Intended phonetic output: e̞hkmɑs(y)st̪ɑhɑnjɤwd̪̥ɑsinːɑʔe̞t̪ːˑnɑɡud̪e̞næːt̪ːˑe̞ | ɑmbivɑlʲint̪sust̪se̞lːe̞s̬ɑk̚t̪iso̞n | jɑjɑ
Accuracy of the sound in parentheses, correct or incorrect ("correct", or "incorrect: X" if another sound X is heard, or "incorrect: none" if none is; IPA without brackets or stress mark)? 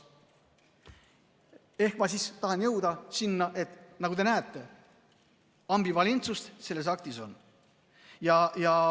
incorrect: i